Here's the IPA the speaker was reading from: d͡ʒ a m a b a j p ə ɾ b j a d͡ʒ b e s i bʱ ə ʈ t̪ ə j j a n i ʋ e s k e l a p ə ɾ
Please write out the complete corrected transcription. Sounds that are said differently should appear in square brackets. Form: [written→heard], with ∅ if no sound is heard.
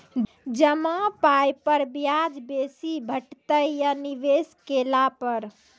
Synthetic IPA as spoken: d͡ʒ [a→ə] m a [b→p] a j p ə ɾ b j a d͡ʒ b e s i bʱ ə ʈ t̪ ə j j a n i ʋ e s k e l a p ə ɾ